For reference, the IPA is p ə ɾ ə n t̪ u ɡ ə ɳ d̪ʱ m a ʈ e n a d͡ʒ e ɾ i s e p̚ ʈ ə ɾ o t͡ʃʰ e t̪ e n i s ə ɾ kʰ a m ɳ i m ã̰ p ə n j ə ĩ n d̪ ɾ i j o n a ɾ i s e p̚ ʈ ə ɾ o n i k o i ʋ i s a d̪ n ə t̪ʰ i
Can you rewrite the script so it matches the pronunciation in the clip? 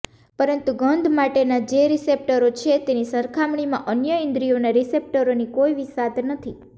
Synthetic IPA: p ə ɾ ə n t̪ u ɡ ə n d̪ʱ m a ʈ e n a d͡ʒ e ɾ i s e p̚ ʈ ə ɾ o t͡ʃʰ e t̪ e n i s ə ɾ kʰ a m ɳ i m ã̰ ʔ ə n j ə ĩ n d̪ ɾ i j o n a ɾ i s e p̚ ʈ ə ɾ o n i k o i ʋ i s a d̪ n ə t̪ʰ i